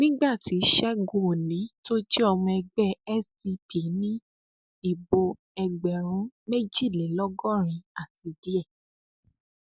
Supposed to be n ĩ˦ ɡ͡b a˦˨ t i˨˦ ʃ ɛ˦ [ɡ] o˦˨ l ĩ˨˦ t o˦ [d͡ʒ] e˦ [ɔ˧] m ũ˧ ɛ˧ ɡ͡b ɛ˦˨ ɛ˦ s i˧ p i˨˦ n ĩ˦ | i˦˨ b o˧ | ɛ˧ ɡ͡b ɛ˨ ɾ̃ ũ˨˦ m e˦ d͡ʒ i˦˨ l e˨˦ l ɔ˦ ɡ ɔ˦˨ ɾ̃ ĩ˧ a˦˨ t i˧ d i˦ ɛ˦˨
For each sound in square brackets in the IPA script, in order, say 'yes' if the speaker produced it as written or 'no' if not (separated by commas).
yes, yes, yes